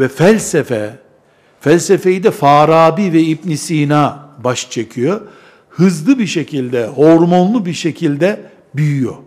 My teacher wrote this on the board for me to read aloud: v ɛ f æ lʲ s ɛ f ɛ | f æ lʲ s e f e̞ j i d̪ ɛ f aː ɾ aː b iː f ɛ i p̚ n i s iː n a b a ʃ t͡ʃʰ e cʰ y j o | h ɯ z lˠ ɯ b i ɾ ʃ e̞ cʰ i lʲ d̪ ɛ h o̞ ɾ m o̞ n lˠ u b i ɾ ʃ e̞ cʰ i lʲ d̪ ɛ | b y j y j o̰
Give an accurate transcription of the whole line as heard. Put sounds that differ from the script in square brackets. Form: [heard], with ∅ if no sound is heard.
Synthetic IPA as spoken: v ɛ f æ lʲ s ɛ f ɛ | f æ lʲ s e f e̞ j i d̪ ɛ f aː ɾ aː b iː [v] ɛ i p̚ n i s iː n a b a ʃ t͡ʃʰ e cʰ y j o | h ɯ z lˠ ɯ b i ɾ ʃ e̞ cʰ i lʲ d̪ ɛ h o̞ ɾ m o̞ n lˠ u b i ɾ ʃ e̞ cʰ i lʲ d̪ ɛ | b y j y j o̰